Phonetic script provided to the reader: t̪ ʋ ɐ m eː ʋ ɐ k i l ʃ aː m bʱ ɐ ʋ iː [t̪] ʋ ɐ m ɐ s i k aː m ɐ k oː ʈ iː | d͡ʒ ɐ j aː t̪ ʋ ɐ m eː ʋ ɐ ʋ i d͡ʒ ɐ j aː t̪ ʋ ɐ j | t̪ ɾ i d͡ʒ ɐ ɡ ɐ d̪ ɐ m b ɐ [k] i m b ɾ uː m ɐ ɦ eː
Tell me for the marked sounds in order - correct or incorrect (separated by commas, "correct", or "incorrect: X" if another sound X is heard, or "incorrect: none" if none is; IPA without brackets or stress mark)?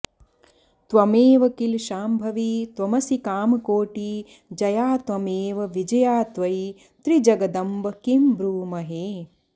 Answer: correct, correct